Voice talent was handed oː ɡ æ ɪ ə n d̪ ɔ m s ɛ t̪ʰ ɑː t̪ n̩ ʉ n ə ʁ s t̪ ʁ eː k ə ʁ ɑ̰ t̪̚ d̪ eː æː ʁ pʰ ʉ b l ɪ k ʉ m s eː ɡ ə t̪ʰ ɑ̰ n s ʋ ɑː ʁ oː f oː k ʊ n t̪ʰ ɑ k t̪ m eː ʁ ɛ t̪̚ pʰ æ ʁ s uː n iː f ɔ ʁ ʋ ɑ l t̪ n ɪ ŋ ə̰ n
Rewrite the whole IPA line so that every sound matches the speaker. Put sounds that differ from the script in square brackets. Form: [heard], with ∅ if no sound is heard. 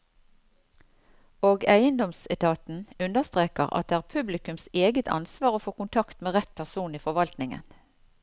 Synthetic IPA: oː ɡ æ ɪ ə n d̪ ɔ m s ɛ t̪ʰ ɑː t̪ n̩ ʉ n ə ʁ s t̪ ʁ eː k ə ʁ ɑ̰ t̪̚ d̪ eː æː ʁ pʰ ʉ b l ɪ k ʉ m s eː ɡ ə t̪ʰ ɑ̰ n s ʋ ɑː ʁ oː f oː k ʊ n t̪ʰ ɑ k t̪ m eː ʁ ɛ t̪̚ pʰ æ ʁ s uː n iː f ɔ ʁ ʋ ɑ l t̪ n ɪ ŋ ə̰ n